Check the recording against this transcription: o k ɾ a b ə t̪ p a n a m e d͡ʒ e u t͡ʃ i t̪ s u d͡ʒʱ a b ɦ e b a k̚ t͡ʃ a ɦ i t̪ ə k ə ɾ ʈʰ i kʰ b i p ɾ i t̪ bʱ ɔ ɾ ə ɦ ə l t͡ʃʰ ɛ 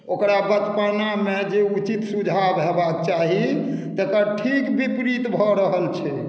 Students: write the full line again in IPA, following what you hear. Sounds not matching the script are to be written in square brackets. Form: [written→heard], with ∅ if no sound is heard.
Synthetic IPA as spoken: o k ɾ a b ə t̪ p a n a m e d͡ʒ e u t͡ʃ i t̪ s u d͡ʒʱ a b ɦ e b a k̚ t͡ʃ a ɦ i t̪ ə k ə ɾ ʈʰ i [kʰ→k] b i p ɾ i t̪ bʱ ɔ ɾ ə ɦ ə l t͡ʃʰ ɛ